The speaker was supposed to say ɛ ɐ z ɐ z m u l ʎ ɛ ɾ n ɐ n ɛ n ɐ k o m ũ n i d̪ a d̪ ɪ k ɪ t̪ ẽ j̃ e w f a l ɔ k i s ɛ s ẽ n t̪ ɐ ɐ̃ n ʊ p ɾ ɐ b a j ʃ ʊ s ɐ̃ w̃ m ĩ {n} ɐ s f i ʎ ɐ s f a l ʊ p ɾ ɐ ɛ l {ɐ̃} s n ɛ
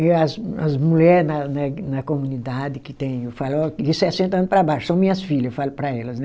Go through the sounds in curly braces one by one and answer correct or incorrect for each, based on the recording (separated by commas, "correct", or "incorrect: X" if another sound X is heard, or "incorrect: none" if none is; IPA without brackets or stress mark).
incorrect: ɲ, incorrect: ɐ